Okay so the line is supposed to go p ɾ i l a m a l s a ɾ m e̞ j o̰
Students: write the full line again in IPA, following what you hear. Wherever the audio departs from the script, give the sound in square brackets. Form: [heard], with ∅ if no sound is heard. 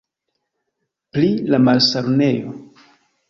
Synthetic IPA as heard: p [l] i l a m a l s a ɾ [n] e̞ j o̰